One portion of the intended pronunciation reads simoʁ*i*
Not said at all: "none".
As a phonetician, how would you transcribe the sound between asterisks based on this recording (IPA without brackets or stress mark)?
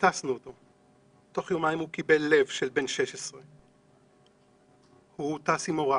a